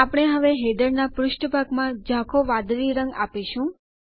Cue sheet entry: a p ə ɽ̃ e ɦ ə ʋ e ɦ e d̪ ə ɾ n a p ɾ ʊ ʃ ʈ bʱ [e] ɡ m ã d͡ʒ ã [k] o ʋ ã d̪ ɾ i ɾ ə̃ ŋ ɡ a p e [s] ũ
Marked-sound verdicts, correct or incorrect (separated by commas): incorrect, incorrect, incorrect